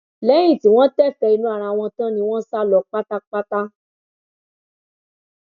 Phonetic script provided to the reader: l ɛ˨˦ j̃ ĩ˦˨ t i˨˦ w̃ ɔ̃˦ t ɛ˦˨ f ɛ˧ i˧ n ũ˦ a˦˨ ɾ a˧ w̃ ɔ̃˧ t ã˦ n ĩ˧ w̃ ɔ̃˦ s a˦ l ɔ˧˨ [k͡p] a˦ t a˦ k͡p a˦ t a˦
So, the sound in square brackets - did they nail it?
yes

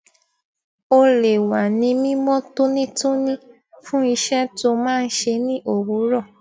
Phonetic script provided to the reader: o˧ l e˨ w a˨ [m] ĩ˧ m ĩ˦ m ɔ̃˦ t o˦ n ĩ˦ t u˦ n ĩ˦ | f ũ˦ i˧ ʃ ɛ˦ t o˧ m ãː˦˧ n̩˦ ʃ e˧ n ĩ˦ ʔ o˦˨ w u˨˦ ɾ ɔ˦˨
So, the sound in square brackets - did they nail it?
no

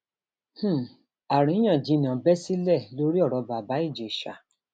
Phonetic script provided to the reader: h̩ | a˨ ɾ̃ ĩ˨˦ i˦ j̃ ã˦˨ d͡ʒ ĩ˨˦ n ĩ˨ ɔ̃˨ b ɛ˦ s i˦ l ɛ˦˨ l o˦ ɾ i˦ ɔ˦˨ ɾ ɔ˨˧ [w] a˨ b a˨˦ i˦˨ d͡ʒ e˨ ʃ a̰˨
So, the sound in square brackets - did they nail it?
no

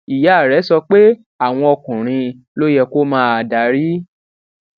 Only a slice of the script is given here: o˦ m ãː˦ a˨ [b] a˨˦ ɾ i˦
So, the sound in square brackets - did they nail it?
no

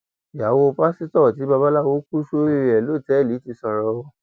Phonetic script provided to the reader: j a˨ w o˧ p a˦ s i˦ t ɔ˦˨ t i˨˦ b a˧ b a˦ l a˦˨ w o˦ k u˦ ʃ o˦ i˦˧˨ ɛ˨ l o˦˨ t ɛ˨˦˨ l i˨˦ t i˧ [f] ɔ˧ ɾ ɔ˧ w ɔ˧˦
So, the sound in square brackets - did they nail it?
no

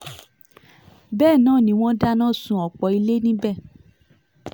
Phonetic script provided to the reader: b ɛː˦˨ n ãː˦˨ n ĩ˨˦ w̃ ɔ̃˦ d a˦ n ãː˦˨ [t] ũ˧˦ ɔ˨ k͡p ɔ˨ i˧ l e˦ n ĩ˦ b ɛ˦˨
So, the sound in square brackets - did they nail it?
no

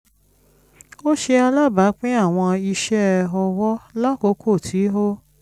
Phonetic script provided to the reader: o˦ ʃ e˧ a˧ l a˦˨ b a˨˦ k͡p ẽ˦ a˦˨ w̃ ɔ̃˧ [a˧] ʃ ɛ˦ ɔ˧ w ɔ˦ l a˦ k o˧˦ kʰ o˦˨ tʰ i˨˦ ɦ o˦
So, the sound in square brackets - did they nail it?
no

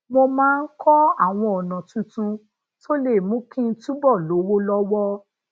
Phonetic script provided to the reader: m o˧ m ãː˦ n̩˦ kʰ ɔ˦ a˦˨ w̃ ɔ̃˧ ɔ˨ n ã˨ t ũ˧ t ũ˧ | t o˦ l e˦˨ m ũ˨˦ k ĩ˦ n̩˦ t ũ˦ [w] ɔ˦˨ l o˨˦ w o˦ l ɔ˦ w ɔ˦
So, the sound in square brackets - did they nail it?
no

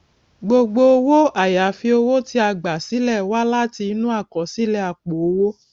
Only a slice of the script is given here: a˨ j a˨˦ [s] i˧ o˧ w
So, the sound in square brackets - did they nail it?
no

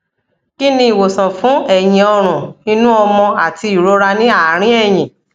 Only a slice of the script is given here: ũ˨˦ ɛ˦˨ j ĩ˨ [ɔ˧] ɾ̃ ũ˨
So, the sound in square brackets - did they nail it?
yes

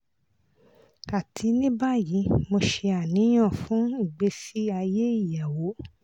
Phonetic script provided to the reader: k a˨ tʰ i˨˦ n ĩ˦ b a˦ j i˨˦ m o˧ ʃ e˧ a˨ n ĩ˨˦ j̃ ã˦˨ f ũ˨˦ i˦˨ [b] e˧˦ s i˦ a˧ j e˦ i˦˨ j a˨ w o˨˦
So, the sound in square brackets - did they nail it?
no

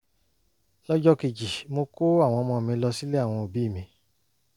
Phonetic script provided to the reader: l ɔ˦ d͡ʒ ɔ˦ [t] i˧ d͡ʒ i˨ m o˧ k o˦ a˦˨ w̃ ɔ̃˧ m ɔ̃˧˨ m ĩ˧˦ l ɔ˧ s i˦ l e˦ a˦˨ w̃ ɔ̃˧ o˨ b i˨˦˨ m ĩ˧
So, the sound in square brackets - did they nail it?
no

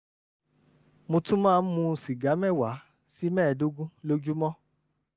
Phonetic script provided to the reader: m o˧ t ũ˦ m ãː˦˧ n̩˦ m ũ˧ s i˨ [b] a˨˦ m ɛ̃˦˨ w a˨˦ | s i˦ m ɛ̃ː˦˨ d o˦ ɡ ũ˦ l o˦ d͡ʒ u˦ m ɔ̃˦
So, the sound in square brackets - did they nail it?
no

